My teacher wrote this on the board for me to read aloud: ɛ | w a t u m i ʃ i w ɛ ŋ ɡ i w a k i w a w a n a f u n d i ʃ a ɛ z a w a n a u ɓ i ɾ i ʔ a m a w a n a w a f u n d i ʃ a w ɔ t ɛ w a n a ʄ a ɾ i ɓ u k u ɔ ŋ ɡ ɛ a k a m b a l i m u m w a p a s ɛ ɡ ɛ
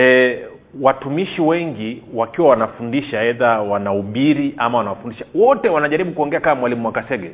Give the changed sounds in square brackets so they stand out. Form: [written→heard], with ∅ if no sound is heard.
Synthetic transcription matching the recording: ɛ | w a t u m i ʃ i w ɛ ŋ ɡ i w a k i w a w a n a f u n d i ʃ a ɛ [z→ð] a w a n a u ɓ i ɾ i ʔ a m a w a n a w a f u n d i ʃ a w ɔ t ɛ w a n a ʄ a ɾ i ɓ u k u ɔ ŋ ɡ ɛ a k a m [b→w] a l i m u m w a [p→k] a s ɛ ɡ ɛ